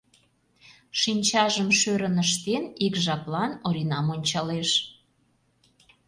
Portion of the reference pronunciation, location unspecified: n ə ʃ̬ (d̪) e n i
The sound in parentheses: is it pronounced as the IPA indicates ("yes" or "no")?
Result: no